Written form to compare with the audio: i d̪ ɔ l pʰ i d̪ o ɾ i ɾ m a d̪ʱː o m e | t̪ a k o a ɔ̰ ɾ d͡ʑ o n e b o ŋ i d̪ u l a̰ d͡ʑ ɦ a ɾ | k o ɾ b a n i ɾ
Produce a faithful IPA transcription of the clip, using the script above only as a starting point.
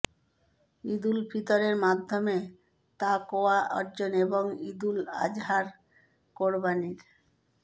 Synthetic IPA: i d̪ u l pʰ i t̪ o ɾ e ɾ m a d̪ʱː o m e | t̪ a k o a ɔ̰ ɾ d͡ʑ o n e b o ŋ i d̪ u l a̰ d͡ʑ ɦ a ɾ | k o ɾ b a n i ɾ